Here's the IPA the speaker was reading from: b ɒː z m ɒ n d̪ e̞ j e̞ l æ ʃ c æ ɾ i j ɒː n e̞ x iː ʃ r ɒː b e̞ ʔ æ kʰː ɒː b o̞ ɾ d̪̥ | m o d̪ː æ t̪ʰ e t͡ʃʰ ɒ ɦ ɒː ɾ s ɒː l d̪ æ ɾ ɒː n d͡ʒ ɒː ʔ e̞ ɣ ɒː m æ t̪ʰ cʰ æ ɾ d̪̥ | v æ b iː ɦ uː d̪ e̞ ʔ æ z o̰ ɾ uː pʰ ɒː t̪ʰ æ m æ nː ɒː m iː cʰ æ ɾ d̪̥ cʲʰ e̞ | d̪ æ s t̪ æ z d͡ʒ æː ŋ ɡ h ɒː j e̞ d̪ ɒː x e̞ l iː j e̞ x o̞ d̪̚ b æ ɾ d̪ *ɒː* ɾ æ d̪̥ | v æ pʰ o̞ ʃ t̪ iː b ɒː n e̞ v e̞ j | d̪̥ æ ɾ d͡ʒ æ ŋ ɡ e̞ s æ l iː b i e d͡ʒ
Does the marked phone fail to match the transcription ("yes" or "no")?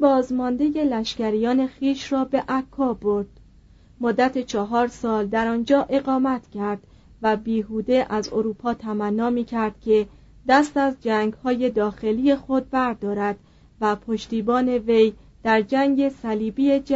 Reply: no